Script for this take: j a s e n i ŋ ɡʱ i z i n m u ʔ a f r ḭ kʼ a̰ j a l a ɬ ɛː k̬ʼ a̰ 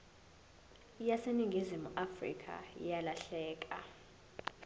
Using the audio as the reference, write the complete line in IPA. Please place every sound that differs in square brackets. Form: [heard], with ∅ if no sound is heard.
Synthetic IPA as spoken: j a s e n i ŋ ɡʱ i z i [∅] m u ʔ a f r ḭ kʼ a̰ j a l a ɬ ɛː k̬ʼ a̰